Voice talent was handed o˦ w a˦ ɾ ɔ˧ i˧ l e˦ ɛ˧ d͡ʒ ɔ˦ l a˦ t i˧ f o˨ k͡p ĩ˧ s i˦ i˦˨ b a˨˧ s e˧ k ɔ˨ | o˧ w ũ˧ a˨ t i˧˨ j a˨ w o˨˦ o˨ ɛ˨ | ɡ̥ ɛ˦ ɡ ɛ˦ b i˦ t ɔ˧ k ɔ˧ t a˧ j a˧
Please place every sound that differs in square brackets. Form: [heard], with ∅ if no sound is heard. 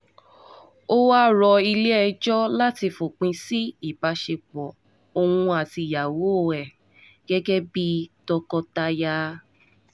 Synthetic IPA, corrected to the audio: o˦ w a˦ ɾ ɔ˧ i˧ l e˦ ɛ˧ d͡ʒ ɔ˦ l a˦ t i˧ f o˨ k͡p ĩ˧ s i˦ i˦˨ b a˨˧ [ʃ] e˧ [k͡p] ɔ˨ | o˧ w ũ˧ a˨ t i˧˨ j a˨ w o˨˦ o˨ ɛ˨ | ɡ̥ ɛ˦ ɡ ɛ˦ b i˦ t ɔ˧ k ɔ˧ t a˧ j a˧